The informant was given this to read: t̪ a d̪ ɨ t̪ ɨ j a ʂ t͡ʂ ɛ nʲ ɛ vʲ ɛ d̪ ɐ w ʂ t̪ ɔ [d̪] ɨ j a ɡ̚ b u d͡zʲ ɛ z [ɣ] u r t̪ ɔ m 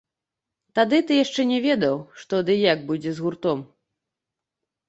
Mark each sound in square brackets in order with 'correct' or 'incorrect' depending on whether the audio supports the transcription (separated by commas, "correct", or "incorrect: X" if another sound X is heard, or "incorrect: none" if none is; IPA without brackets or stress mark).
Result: correct, correct